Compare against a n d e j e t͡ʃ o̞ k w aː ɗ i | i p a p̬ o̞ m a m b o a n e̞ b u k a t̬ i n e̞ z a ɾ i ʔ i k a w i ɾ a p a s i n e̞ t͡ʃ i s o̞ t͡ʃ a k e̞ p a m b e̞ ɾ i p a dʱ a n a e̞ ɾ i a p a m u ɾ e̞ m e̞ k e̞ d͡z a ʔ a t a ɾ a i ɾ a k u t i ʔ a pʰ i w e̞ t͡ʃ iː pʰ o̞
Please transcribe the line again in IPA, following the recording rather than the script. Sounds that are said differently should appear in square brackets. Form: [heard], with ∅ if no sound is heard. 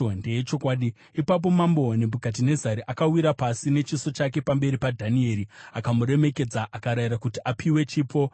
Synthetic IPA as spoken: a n d e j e t͡ʃ o̞ k w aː ɗ i | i p a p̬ o̞ m a m b o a n e̞ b u k a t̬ i n e̞ z a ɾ i ʔ [a] k a w i ɾ a p a s i n e̞ t͡ʃ i s o̞ t͡ʃ a k e̞ p a m b e̞ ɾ i p a dʱ a n [i] e̞ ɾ i a [k] a m u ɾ e̞ m e̞ k e̞ d͡z a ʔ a [k] a ɾ a i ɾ a k u t i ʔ a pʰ i w e̞ t͡ʃ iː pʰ o̞